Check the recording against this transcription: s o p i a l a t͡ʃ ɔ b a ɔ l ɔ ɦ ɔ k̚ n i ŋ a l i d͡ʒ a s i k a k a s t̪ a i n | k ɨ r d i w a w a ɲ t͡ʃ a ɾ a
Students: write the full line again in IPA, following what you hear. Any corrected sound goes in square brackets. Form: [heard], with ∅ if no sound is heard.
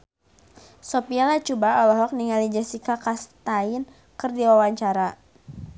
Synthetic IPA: s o p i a l a t͡ʃ [u] b a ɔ l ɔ ɦ ɔ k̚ n i ŋ a l i d͡ʒ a s i k a k a s t̪ a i n | k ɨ r d i w a w a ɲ t͡ʃ a ɾ a